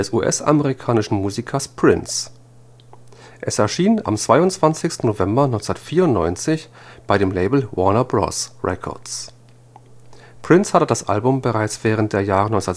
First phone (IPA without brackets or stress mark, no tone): ɛ